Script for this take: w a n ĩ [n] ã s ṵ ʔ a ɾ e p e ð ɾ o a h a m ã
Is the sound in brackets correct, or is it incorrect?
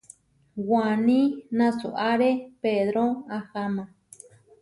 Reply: correct